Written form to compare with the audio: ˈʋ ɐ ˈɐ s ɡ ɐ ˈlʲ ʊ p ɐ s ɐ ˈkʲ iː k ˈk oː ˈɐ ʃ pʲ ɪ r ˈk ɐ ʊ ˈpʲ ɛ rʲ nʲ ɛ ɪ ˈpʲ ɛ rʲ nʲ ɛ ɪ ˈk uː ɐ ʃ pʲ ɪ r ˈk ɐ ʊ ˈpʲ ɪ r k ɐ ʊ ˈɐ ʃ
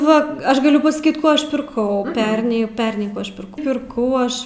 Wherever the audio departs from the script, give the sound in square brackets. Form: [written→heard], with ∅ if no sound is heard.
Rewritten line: ˈʋ ɐ ˈɐ [s→ʃ] ɡ ɐ ˈlʲ ʊ p ɐ s ɐ ˈkʲ iː [k→t] ˈk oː ˈɐ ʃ pʲ ɪ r ˈk ɐ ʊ ˈpʲ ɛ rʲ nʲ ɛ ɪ ˈpʲ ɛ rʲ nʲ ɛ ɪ ˈk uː ɐ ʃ pʲ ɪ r ˈk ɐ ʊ ˈpʲ ɪ r k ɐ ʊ ˈɐ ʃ